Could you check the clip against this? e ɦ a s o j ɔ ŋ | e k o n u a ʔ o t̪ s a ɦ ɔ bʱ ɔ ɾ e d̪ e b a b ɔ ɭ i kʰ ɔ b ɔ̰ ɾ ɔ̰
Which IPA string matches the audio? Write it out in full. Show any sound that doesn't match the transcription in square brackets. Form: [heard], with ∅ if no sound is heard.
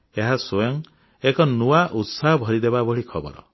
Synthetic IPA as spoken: e ɦ a s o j ɔ ŋ | e k [ɔ] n u a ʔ [u] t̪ s a ɦ ɔ bʱ ɔ ɾ [i] d̪ e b a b ɔ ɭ i kʰ ɔ b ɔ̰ ɾ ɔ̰

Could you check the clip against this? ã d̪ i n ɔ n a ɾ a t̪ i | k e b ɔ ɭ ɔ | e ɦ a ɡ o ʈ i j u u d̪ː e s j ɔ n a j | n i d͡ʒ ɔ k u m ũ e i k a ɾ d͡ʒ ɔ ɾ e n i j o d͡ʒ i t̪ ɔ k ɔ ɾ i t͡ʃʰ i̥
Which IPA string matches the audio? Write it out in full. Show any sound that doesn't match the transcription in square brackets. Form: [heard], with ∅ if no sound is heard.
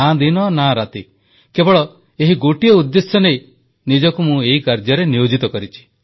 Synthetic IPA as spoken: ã d̪ i n ɔ n a ɾ a t̪ i | k e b ɔ ɭ ɔ | e ɦ [i] ɡ o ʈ i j [ɔ] u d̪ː e s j ɔ n [e] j | n i d͡ʒ ɔ k u m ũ e i k a ɾ d͡ʒ ɔ ɾ e n i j o d͡ʒ i t̪ ɔ k ɔ ɾ i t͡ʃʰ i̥

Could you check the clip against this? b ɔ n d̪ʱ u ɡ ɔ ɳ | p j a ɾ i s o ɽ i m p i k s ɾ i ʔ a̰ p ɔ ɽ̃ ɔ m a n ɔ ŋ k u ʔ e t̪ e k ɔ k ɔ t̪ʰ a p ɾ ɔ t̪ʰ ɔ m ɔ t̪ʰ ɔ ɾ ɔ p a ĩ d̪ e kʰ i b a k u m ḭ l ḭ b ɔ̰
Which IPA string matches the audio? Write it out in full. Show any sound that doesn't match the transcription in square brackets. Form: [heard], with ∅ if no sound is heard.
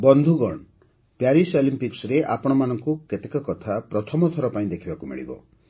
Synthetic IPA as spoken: b ɔ n d̪ʱ u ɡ ɔ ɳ | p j a ɾ i s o [l] i m p i k s ɾ [e] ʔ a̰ p ɔ ɽ̃ ɔ m a n ɔ ŋ k u [k] e t̪ e k ɔ k ɔ t̪ʰ a p ɾ ɔ t̪ʰ ɔ m ɔ t̪ʰ ɔ ɾ ɔ p a ĩ d̪ e kʰ i b a k u m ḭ [ɭ] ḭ b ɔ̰

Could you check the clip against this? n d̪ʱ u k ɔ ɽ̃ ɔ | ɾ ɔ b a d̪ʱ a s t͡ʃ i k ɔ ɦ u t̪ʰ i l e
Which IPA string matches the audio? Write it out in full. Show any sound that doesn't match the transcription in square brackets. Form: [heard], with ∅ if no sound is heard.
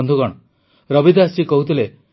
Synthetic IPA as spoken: n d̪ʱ u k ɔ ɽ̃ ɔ | ɾ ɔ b [i] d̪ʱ a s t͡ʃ i k ɔ ɦ u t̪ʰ i l e

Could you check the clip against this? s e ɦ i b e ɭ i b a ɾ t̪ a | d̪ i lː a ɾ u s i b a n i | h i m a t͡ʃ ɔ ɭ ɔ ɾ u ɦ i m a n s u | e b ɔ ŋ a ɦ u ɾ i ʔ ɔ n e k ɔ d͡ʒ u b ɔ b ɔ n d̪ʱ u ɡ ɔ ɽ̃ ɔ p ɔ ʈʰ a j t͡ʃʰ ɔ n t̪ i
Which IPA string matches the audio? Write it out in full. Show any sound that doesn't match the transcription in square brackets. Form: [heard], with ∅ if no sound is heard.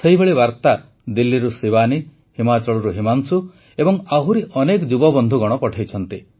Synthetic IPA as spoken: s e ɦ i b e ɭ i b a ɾ t̪ a | d̪ i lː [i] ɾ u s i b a n i | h i m a t͡ʃ ɔ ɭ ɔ ɾ u ɦ i m a n s u | e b ɔ ŋ a ɦ u ɾ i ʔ ɔ n e k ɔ d͡ʒ u b ɔ b ɔ n d̪ʱ u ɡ ɔ ɽ̃ ɔ p ɔ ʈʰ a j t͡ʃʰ ɔ n t̪ i

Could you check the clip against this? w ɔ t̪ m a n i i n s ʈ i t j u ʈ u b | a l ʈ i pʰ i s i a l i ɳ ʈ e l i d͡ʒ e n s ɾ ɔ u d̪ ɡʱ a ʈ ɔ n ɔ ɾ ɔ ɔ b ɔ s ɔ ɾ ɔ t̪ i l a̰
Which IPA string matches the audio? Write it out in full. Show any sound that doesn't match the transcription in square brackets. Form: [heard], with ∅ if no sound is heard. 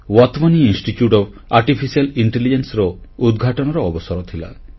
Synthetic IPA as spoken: w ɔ t̪ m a n i i n s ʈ i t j u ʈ [ɔ] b | a [ɾ] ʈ i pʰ i s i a l i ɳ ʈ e l i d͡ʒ e n s ɾ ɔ u d̪ ɡʱ a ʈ ɔ n ɔ ɾ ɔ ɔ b ɔ s ɔ ɾ ɔ [t̪ʰ] i l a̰

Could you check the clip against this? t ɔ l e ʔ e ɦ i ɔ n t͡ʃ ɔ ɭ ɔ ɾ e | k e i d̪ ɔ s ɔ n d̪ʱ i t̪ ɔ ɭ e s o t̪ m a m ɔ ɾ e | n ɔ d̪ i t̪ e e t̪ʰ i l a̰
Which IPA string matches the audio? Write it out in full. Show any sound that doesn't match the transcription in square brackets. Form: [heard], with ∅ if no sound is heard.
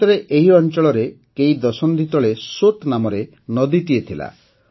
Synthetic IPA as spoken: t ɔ [ɾ] e ʔ e ɦ i ɔ n t͡ʃ ɔ ɭ ɔ ɾ e | k e i d̪ ɔ s ɔ n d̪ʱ i t̪ ɔ ɭ e s o t̪ [n] a m ɔ ɾ e | n ɔ d̪ i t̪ [i] e t̪ʰ i l a̰

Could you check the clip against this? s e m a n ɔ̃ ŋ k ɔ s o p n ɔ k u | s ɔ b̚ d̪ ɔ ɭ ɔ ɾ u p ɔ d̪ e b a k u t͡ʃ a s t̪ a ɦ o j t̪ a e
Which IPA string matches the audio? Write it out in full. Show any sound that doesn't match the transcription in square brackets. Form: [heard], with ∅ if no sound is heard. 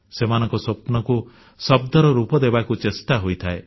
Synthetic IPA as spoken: s e m a n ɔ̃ ŋ k ɔ s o p n ɔ k u | s ɔ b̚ d̪ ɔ [ɾ] ɔ ɾ u p ɔ d̪ e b a k u t͡ʃ [e] s t̪ a ɦ o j [t̪ʰ] a e

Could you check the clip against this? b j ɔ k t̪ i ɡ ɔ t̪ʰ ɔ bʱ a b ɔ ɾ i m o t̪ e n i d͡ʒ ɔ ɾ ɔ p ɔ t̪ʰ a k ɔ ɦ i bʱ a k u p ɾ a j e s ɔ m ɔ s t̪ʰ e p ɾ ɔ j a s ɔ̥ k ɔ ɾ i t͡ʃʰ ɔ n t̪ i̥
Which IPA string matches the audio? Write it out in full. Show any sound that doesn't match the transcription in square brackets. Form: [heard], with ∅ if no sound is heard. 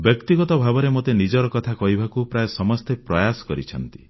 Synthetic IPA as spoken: b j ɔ k t̪ i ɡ ɔ [t̪] ɔ bʱ a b ɔ ɾ [e] m o t̪ e n i d͡ʒ ɔ ɾ ɔ [k] ɔ t̪ʰ a k ɔ ɦ i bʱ a k u p ɾ a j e s ɔ m ɔ s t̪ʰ e p ɾ ɔ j a s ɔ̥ k ɔ ɾ i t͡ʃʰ ɔ n t̪ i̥

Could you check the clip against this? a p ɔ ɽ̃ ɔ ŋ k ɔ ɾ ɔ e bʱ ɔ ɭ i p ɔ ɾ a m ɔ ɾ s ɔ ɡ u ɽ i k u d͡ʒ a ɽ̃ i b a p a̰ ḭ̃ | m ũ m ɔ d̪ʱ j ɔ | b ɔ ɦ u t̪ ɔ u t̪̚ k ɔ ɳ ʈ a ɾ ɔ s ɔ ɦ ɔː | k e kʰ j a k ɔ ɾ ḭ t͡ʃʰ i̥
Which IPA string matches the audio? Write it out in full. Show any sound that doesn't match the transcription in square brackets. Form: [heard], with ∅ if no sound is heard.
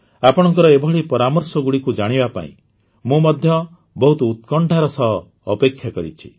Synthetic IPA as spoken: a p ɔ ɽ̃ ɔ ŋ k ɔ ɾ ɔ e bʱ ɔ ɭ i p ɔ ɾ a m ɔ ɾ s ɔ ɡ u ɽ i k u d͡ʒ a ɽ̃ i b a p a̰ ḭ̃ | m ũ m ɔ d̪ʱ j ɔ | b ɔ ɦ u t̪ ɔ u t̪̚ k ɔ ɳ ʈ a ɾ ɔ s ɔ ɦ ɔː | [p] e kʰ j a k ɔ ɾ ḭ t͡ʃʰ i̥

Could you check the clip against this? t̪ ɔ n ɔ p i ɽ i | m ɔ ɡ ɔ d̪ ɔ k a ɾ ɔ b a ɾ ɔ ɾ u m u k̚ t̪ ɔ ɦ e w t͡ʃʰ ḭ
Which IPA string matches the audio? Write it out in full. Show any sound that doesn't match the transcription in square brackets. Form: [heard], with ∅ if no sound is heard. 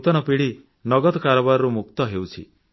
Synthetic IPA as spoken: t̪ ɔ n ɔ p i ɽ i | [n] ɔ ɡ ɔ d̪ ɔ k a ɾ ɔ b a ɾ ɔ ɾ u m u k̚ t̪ ɔ ɦ e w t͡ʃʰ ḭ

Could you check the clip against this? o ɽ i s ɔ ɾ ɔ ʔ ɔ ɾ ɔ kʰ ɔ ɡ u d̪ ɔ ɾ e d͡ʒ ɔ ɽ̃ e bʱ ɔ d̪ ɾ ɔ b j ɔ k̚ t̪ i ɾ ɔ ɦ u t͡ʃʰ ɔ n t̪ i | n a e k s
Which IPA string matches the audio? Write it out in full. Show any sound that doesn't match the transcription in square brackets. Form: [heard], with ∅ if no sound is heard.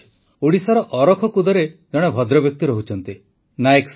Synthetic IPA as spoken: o ɽ i s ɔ ɾ ɔ ʔ ɔ ɾ ɔ kʰ ɔ [k] u d̪ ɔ ɾ e d͡ʒ ɔ ɽ̃ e bʱ ɔ d̪ ɾ ɔ b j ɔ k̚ t̪ i ɾ ɔ ɦ u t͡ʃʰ ɔ n t̪ i | n a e k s

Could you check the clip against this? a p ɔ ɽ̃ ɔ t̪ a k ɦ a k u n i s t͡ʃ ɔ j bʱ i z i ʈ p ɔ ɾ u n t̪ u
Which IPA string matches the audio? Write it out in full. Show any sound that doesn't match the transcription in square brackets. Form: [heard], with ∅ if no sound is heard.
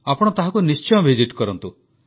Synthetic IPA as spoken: a p ɔ ɽ̃ ɔ t̪ a [∅] ɦ a k u n i s t͡ʃ ɔ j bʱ i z i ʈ [k] ɔ ɾ [ɔ] n t̪ u

